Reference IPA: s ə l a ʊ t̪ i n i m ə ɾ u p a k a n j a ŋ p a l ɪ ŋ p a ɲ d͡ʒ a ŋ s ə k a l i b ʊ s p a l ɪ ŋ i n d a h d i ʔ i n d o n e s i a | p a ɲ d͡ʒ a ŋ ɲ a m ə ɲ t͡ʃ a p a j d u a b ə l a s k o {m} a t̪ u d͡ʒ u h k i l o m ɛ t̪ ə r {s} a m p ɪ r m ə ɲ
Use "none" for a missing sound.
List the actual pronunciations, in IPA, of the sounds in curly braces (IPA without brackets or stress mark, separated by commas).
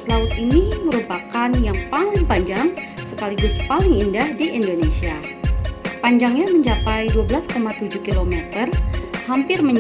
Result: m, h